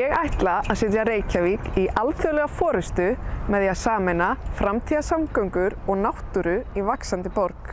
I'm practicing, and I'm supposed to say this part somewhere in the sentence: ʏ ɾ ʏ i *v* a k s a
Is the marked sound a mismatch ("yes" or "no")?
no